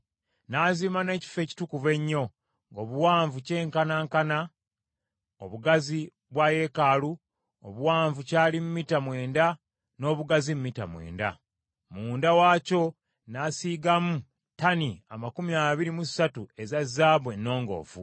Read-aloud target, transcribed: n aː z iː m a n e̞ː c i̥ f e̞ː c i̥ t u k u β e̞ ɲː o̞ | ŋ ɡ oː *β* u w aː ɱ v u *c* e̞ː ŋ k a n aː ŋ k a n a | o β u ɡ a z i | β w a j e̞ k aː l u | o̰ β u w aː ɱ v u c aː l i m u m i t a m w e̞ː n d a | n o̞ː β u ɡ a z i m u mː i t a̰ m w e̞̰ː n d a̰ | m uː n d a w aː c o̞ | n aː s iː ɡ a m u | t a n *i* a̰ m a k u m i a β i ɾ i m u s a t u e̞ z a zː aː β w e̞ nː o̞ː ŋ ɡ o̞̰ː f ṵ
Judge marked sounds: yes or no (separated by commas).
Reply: yes, yes, yes